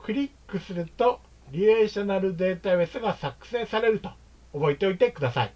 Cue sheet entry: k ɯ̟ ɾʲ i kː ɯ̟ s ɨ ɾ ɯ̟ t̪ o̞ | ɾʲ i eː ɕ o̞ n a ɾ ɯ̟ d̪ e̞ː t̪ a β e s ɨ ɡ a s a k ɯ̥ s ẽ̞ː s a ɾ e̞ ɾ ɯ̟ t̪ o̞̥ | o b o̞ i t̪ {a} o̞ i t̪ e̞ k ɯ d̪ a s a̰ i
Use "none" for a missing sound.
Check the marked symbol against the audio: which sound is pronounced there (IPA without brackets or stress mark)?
e